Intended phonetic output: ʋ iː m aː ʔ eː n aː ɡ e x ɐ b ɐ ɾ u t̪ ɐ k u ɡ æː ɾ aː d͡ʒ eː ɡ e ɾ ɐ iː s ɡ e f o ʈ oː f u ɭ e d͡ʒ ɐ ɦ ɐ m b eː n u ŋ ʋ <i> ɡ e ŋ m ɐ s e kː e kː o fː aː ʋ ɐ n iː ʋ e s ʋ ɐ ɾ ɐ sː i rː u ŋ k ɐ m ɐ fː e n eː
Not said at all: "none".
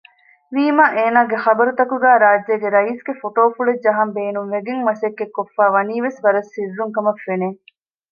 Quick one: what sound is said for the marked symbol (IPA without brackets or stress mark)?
e